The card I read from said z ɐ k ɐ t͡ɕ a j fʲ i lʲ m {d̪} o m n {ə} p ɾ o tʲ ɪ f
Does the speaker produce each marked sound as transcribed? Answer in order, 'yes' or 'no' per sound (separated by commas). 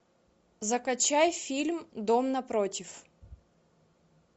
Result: yes, no